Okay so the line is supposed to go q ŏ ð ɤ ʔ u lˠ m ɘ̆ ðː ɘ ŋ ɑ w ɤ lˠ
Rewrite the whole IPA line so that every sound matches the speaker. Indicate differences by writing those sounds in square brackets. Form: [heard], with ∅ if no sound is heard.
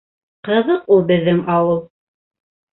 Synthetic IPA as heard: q [ɤ̆] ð ɤ [q] u lˠ [b] ɘ̆ ðː ɘ ŋ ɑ w ɤ lˠ